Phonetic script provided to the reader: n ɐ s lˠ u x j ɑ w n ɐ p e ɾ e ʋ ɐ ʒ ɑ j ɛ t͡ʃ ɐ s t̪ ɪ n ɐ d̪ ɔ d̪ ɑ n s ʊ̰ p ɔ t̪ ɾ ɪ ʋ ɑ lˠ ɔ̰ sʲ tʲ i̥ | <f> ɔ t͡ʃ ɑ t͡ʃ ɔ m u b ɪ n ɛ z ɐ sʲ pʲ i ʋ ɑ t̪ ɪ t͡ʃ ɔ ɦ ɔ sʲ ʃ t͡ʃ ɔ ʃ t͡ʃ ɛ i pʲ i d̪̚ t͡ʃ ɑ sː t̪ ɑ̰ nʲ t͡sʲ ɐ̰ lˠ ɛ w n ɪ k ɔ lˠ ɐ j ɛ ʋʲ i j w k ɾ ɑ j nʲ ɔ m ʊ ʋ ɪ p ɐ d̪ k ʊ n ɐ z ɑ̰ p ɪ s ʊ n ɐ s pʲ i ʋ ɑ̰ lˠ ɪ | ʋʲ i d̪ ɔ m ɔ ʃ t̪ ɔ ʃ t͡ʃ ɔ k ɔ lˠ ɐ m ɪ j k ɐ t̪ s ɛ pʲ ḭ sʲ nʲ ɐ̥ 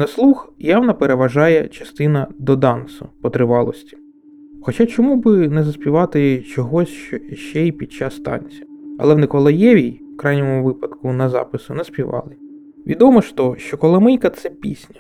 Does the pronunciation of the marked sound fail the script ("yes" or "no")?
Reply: yes